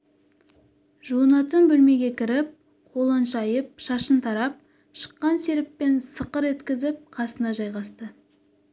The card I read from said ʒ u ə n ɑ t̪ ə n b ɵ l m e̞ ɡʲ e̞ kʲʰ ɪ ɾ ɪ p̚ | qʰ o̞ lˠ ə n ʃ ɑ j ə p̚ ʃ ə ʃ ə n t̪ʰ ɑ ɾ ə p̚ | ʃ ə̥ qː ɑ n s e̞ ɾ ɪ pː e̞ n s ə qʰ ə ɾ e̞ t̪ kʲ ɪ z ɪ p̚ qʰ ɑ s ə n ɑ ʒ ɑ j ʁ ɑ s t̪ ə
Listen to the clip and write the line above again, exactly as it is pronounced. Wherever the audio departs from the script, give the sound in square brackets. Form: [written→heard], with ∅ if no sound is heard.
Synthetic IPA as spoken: ʒ u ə n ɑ t̪ ə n b ɵ l m e̞ ɡʲ e̞ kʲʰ ɪ ɾ ɪ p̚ | qʰ o̞ lˠ ə n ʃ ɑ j ə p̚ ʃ [ə→ɑ] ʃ ə n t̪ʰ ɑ ɾ [ə→ɑ] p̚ | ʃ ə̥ qː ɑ n s e̞ ɾ ɪ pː e̞ n s ə [qʰ→q] ə ɾ e̞ t̪ kʲ ɪ z ɪ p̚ qʰ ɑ s ə n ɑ ʒ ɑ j ʁ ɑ s t̪ ə